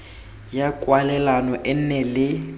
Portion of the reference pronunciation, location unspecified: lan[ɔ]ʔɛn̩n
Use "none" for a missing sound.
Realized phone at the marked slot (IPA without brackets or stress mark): ɔ